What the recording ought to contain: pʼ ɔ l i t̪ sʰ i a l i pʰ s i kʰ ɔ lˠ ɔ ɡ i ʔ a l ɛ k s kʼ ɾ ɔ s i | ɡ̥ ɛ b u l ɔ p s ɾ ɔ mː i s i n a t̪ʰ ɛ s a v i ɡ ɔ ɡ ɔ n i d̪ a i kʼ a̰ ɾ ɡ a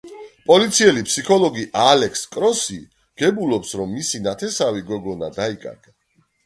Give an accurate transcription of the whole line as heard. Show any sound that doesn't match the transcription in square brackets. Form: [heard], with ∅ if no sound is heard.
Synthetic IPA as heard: pʼ ɔ l i t̪ sʰ i [ɛ] l i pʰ s i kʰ ɔ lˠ ɔ ɡ i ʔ a l ɛ k s kʼ ɾ ɔ s i | ɡ̥ ɛ b u l ɔ p s ɾ ɔ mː i s i n a t̪ʰ ɛ s a v i ɡ ɔ ɡ ɔ n [a] d̪ a i kʼ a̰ ɾ ɡ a